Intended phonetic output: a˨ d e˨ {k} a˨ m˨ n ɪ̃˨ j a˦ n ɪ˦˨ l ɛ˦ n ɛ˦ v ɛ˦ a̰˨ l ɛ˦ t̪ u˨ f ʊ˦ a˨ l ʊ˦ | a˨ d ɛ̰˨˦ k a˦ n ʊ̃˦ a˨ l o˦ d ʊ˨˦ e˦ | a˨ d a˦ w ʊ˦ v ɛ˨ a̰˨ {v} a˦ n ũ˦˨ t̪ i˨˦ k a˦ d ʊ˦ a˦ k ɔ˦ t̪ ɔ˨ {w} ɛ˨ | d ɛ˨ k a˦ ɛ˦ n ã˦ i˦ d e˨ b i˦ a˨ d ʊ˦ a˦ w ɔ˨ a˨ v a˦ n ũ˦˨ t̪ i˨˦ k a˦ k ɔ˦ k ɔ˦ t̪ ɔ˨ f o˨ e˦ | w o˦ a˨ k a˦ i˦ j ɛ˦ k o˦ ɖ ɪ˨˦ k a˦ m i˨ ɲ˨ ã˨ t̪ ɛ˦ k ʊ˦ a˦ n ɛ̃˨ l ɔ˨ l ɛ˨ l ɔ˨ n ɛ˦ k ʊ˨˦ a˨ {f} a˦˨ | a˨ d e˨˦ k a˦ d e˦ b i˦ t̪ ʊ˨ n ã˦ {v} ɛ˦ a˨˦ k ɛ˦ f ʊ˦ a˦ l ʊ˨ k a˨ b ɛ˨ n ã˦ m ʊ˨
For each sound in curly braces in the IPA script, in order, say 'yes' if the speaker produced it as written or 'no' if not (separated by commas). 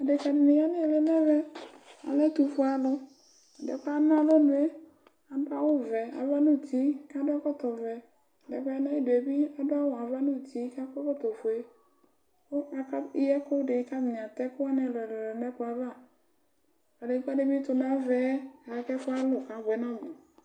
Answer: yes, yes, no, no, yes